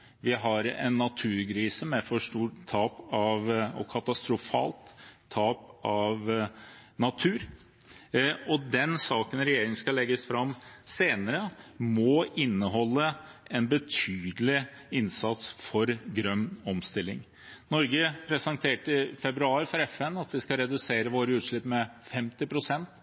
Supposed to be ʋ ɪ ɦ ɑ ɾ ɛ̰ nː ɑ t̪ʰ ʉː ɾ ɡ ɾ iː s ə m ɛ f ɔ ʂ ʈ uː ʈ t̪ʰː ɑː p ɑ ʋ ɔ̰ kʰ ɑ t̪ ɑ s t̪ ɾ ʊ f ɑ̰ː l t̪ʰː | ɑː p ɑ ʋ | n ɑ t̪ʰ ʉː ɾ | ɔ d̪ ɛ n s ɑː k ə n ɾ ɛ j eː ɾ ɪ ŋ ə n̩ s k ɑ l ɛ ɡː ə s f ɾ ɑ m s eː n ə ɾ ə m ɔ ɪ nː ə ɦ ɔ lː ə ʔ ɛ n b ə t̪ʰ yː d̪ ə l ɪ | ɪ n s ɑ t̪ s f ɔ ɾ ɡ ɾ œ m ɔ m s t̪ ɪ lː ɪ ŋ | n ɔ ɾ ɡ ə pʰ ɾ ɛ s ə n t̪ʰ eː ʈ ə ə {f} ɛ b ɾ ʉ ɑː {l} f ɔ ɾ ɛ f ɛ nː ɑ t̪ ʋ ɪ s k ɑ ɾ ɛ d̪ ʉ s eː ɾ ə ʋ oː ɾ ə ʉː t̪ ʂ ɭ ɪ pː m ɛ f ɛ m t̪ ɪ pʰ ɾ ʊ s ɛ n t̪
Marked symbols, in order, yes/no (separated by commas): yes, no